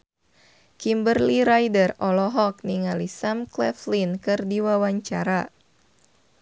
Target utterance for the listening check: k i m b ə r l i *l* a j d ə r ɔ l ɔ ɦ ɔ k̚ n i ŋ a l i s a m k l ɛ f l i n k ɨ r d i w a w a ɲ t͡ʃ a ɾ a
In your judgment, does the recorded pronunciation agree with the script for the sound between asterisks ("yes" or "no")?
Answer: no